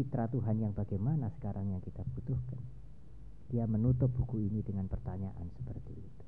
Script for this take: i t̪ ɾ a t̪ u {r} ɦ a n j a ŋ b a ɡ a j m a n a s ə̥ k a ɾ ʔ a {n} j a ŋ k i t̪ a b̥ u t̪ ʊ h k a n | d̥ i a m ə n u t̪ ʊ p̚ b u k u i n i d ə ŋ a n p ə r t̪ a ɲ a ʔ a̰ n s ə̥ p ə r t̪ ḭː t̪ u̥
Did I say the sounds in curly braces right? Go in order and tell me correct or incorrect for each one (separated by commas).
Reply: incorrect, incorrect